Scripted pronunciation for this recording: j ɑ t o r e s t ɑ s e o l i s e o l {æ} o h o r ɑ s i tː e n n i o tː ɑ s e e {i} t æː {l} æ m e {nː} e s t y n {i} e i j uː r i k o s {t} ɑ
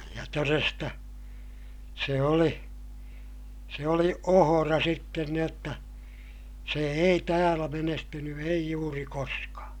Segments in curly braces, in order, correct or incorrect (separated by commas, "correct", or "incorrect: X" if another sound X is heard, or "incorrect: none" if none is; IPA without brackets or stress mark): incorrect: i, correct, correct, incorrect: n, incorrect: y, incorrect: k